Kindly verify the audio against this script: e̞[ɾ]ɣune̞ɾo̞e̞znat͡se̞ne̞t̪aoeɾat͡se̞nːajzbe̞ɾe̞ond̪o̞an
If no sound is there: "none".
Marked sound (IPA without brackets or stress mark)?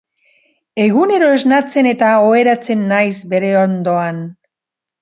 none